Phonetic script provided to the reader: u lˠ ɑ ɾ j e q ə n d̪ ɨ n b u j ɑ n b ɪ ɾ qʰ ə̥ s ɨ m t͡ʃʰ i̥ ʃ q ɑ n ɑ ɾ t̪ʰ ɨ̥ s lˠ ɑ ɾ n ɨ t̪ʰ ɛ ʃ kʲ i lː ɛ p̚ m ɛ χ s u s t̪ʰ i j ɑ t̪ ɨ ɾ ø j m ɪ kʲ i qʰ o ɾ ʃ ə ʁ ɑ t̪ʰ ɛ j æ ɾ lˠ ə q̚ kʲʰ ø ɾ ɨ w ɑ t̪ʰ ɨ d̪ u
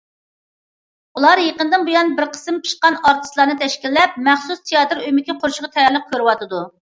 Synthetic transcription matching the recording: u lˠ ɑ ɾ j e q ə n d̪ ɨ n b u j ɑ n b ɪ ɾ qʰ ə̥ s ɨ m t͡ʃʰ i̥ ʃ q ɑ n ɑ ɾ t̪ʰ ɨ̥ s lˠ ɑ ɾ n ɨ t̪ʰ ɛ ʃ kʲ i lː ɛ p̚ m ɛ χ s u s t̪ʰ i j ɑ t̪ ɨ ɾ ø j m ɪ kʲ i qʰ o ɾ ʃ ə ʁ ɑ t̪ʰ ɛ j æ ɾ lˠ ə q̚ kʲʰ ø ɾ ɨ w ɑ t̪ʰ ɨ d̪ u